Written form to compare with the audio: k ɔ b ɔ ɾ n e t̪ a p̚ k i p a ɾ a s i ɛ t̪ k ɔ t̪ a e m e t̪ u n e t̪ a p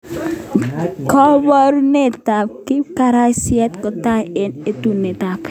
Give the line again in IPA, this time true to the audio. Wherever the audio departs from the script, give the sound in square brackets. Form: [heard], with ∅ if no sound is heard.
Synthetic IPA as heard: k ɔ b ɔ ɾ n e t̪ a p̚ k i [k] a ɾ a s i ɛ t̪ k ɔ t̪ a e [n] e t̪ u n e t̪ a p